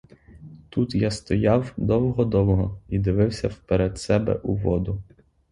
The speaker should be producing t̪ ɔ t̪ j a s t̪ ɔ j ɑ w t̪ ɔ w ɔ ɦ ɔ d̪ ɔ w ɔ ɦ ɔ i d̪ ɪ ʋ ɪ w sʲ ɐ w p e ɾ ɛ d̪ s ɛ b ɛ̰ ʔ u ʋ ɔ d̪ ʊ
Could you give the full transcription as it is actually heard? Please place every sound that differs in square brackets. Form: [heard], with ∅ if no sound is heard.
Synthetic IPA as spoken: t̪ [u] t̪ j a s t̪ ɔ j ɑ w [d̪] ɔ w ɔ ɦ ɔ d̪ ɔ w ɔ ɦ ɔ i d̪ ɪ ʋ ɪ w sʲ ɐ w p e ɾ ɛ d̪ s ɛ b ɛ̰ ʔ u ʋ ɔ d̪ ʊ